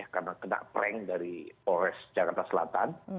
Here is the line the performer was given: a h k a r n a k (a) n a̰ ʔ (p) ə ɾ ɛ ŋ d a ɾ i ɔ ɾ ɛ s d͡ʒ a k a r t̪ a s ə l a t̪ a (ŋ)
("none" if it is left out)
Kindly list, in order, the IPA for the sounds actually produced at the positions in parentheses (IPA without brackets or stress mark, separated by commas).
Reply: ə, p, n